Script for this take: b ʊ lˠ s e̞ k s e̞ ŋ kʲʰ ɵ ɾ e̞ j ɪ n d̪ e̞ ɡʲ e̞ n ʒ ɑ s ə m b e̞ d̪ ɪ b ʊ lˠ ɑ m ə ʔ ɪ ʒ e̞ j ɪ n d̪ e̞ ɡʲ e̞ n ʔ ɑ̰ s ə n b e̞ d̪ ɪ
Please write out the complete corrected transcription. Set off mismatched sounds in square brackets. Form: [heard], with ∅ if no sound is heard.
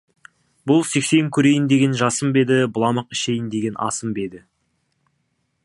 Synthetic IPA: b ʊ lˠ s e̞ k s e̞ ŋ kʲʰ ɵ ɾ e̞ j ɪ n d̪ e̞ ɡʲ e̞ n ʒ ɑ s ə m b e̞ d̪ ɪ b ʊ lˠ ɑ m ə [q] ɪ [ʃ] e̞ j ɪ n d̪ e̞ ɡʲ e̞ n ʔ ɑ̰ s ə [m] b e̞ d̪ ɪ